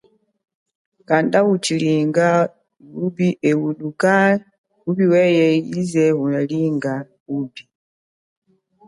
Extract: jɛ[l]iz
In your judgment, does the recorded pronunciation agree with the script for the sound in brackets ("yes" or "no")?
no